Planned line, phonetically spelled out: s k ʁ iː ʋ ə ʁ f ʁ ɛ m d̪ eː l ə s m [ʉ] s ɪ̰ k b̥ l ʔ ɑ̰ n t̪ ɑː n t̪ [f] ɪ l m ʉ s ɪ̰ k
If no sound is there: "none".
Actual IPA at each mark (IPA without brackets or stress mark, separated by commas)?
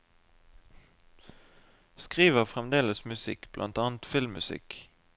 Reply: ʉ, f